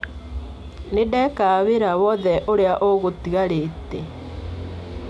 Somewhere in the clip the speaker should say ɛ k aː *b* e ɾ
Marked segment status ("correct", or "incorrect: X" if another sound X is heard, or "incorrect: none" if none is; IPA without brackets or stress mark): incorrect: β